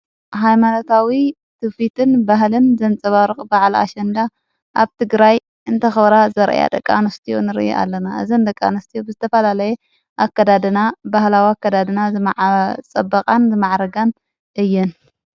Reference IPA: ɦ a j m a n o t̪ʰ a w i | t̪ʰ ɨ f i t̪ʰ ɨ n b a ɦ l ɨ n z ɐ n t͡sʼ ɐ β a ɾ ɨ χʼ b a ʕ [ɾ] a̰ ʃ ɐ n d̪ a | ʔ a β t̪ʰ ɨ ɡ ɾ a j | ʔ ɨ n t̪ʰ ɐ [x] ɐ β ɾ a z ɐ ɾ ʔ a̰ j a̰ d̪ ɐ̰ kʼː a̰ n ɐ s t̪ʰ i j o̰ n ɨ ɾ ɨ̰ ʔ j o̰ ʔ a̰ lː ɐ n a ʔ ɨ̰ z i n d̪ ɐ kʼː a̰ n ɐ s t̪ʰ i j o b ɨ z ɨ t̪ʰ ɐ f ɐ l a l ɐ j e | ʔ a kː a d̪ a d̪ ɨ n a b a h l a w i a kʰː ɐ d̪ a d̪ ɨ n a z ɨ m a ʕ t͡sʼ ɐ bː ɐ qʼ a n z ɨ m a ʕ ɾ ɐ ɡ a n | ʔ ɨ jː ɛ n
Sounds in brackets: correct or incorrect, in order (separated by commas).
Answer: incorrect, correct